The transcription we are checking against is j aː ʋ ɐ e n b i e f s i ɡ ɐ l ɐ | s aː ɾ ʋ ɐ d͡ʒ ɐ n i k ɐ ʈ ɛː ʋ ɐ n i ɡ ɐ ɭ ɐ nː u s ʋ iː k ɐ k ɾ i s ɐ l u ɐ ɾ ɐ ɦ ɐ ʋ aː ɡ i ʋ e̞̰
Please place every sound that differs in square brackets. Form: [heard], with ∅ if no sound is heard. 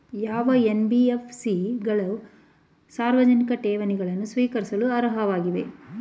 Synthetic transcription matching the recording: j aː ʋ ɐ e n b i e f s i ɡ ɐ [ɭ] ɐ | s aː ɾ ʋ ɐ d͡ʒ ɐ n i k ɐ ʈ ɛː ʋ ɐ n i ɡ ɐ ɭ ɐ nː u s ʋ iː k ɐ [∅] ɾ i s ɐ l u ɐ ɾ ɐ ɦ ɐ ʋ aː ɡ i ʋ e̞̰